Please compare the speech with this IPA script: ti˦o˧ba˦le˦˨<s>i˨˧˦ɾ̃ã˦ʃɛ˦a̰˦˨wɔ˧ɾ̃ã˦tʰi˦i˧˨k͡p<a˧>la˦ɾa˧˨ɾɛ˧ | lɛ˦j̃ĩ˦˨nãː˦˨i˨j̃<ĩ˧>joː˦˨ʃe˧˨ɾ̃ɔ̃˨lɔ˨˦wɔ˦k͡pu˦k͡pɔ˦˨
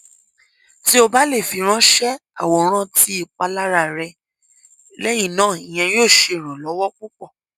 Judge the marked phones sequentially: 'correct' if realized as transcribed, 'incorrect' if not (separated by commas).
incorrect, correct, incorrect